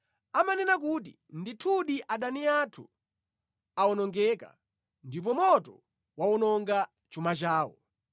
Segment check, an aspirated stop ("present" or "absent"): present